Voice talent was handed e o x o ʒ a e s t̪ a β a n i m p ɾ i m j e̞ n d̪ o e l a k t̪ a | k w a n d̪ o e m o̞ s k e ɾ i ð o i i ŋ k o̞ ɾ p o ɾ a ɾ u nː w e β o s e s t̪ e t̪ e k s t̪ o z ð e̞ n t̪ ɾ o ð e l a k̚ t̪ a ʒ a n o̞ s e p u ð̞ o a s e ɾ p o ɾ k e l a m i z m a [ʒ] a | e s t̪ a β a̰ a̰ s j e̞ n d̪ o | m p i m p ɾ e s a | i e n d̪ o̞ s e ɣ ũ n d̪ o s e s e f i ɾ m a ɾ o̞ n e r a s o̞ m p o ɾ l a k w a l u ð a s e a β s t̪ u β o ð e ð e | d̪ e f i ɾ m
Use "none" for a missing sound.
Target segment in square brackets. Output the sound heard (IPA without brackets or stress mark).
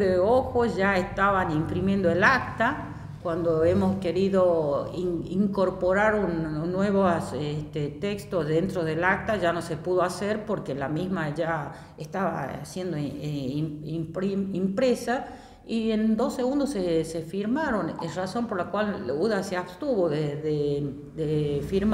ʒ